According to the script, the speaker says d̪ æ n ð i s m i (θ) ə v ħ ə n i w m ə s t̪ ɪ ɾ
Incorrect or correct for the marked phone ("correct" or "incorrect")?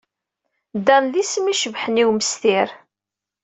incorrect